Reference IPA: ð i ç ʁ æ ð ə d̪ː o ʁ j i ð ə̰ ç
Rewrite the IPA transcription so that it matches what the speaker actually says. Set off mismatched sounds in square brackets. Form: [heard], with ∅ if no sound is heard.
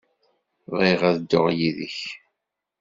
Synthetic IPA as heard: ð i [∅] ʁ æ ð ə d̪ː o ʁ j i ð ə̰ ç